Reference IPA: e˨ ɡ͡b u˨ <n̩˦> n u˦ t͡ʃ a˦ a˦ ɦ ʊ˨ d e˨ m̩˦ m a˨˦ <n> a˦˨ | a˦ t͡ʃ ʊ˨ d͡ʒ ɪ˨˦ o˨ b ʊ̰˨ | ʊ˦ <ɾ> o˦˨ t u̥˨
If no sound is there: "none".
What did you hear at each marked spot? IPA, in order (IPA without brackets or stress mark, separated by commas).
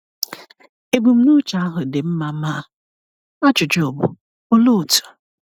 m̩˦, m, l